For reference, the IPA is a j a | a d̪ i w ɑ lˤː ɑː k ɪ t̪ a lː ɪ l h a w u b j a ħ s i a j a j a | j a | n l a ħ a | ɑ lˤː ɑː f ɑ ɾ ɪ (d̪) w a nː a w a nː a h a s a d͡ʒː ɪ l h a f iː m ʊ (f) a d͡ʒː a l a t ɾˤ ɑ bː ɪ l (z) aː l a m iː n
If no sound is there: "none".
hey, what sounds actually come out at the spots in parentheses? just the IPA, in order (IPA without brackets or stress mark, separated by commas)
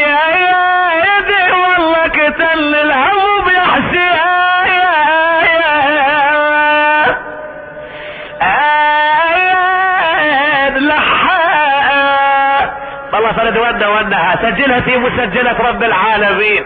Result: d̪, s, ʕ